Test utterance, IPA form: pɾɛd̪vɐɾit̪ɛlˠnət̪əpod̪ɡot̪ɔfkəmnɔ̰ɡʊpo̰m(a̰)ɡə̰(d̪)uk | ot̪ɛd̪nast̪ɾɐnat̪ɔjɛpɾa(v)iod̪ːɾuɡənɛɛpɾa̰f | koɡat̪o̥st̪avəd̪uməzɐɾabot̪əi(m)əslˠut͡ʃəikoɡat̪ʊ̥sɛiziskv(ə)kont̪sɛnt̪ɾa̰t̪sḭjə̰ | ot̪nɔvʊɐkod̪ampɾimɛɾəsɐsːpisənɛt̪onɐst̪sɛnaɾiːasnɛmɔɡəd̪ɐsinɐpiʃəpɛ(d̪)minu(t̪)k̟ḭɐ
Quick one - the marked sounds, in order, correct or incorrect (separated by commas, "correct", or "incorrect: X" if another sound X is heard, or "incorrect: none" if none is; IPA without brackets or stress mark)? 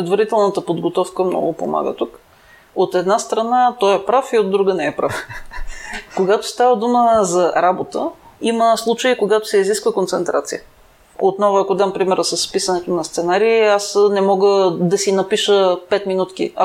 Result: correct, incorrect: t̪, incorrect: f, correct, correct, incorrect: t̪, correct